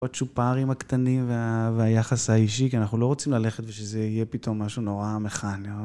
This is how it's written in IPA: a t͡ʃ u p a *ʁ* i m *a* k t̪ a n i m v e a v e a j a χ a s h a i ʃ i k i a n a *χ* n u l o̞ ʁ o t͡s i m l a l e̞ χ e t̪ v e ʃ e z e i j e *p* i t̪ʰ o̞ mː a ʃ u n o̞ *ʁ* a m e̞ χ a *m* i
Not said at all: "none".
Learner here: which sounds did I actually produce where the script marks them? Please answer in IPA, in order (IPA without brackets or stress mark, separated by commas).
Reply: ʁ, a, χ, p, ʁ, n